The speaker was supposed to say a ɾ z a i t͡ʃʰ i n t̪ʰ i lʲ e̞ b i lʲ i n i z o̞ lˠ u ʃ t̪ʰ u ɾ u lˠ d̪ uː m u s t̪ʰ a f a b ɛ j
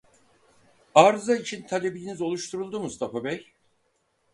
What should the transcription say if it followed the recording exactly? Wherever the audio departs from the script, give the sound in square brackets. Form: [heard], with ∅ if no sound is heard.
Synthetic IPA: a ɾ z a i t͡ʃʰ i n t̪ʰ [a] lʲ e̞ b i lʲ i n i z o̞ lˠ u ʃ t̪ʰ u ɾ u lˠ d̪ [u] m u s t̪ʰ a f a b ɛ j